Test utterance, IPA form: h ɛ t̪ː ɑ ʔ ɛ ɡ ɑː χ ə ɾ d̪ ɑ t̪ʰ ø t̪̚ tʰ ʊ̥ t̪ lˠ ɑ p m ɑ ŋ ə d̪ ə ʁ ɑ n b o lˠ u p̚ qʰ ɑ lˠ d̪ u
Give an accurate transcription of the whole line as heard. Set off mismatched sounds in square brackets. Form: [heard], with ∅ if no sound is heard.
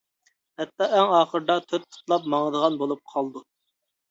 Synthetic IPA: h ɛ t̪ː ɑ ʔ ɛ [ŋ] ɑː χ ə ɾ d̪ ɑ t̪ʰ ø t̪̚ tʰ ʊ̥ t̪ lˠ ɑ p m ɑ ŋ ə d̪ ə ʁ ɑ n b o lˠ u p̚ qʰ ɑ lˠ d̪ u